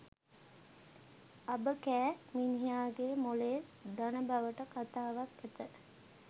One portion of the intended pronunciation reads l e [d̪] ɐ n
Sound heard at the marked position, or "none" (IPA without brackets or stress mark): d̪